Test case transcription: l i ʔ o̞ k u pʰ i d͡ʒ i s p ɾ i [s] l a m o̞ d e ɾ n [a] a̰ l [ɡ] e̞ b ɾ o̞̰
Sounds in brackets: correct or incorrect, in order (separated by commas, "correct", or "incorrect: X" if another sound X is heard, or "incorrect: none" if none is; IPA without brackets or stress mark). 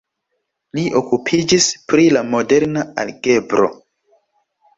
incorrect: none, correct, correct